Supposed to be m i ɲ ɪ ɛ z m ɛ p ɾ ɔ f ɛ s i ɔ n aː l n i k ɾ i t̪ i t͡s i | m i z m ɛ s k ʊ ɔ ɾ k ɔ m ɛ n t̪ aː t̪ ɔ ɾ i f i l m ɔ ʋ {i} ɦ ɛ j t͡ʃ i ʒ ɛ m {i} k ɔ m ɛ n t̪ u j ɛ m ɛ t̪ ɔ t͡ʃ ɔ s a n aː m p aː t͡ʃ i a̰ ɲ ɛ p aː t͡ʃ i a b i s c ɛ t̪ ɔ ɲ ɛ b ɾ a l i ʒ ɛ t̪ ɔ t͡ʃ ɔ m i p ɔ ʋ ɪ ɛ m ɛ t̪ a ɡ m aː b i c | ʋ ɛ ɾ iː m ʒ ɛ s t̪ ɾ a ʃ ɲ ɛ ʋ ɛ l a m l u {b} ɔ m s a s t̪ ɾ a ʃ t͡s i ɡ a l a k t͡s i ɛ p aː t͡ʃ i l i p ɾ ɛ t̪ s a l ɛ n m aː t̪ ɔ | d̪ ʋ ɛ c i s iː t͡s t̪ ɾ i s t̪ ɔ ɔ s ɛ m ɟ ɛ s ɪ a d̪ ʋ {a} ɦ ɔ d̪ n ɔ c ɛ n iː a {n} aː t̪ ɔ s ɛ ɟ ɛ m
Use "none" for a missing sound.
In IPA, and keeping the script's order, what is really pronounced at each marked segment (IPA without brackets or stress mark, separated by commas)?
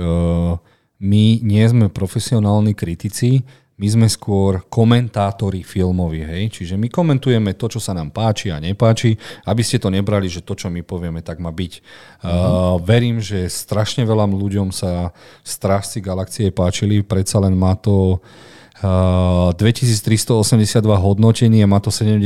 i, i, ɟ, a, m